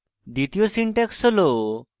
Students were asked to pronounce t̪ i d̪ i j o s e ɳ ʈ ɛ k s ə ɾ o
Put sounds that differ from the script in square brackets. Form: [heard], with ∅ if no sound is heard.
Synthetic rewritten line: [d̪] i [t̪] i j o s [i] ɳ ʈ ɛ k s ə [l] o